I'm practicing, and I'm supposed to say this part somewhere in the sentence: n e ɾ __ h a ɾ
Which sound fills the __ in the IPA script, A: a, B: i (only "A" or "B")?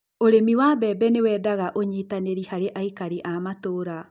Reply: B